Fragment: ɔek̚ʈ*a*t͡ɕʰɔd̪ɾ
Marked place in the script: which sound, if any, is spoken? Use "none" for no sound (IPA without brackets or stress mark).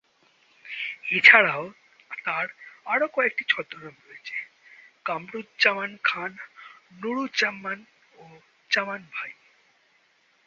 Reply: i